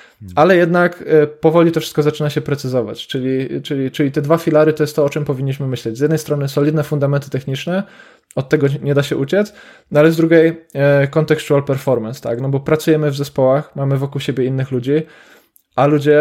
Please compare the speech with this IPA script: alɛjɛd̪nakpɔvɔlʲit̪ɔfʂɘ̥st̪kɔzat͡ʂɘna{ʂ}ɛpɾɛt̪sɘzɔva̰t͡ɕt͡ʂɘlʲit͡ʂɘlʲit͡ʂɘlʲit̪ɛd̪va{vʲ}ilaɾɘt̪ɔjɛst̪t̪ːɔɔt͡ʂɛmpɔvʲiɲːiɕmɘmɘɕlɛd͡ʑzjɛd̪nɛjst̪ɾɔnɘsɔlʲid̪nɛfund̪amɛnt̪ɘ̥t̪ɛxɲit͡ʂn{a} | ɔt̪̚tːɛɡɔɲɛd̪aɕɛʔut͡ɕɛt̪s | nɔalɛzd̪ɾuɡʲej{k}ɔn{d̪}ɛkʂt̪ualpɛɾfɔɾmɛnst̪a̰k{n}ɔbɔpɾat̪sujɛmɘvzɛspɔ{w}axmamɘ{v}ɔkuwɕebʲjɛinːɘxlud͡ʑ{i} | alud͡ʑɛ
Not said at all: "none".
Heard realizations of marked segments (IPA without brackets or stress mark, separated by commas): ɕ, fʲ, ɛ, k, t̪, n, w, v, i